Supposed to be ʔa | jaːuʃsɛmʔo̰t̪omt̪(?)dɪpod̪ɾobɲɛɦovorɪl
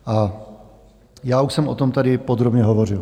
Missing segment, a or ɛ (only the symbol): a